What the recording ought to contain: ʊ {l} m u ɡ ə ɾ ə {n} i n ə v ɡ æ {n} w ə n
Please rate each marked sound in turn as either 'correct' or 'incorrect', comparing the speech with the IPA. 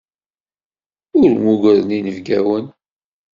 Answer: incorrect, correct, incorrect

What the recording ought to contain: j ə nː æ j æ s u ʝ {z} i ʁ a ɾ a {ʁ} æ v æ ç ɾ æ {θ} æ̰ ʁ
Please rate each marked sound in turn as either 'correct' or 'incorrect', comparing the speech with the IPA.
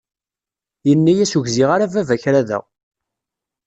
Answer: correct, incorrect, incorrect

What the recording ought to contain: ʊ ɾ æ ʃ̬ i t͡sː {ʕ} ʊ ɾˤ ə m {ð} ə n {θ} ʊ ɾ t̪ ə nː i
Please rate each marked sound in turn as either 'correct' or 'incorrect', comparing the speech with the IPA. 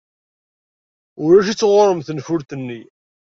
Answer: incorrect, incorrect, incorrect

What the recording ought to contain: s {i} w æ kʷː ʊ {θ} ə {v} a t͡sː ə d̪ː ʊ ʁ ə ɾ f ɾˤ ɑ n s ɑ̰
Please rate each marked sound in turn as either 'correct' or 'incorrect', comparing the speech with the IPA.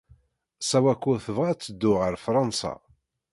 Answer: incorrect, correct, correct

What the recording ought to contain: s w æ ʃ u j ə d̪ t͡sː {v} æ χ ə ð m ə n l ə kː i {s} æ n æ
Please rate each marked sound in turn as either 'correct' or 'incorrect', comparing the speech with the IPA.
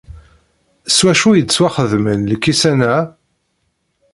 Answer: incorrect, correct

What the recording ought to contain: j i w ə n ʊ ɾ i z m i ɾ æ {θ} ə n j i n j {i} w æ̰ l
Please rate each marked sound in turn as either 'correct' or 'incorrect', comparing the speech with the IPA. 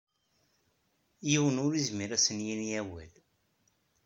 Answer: incorrect, incorrect

